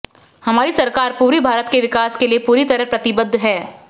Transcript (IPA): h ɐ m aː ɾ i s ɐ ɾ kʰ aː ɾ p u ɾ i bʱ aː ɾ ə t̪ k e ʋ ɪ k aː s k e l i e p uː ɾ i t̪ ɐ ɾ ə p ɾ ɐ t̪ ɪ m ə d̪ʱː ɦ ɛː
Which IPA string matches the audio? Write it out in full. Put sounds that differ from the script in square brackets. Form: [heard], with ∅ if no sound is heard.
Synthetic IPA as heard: h ɐ m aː ɾ i s ɐ ɾ [k] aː ɾ p [uː] ɾ i bʱ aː ɾ ə t̪ k e ʋ ɪ k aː s k e l i e p uː ɾ i t̪ ɐ ɾ ə p ɾ ɐ t̪ ɪ [b] ə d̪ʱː ɦ ɛː